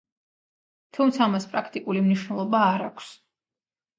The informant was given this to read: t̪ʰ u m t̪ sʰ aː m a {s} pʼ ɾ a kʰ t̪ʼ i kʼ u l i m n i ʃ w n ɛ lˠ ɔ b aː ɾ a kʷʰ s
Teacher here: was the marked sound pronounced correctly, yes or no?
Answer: yes